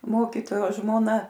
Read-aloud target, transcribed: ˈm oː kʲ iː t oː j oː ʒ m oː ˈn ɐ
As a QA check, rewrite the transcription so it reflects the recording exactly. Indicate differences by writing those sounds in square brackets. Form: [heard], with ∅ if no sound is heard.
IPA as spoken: ˈm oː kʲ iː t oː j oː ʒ m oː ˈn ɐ